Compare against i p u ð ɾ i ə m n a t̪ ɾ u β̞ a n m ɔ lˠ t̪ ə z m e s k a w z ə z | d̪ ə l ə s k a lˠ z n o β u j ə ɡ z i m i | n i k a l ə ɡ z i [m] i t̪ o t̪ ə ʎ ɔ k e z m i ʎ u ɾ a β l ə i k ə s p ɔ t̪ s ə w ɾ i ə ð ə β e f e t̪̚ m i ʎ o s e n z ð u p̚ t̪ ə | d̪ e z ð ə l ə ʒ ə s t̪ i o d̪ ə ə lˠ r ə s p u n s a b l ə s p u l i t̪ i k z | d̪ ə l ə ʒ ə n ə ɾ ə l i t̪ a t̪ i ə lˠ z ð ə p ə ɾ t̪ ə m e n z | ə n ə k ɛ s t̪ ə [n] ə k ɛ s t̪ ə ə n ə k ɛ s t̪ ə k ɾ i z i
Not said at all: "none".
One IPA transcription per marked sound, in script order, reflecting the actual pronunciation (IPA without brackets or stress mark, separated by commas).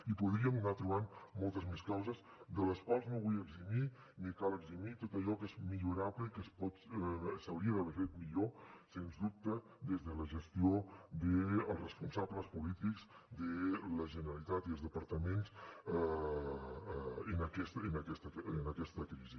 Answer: m, n